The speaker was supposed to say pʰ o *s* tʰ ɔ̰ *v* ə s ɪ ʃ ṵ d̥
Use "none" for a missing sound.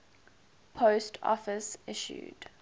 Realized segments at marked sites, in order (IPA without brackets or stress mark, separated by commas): s, f